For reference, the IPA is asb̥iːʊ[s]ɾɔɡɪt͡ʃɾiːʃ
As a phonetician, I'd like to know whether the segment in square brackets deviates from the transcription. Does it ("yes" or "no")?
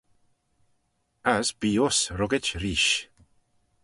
no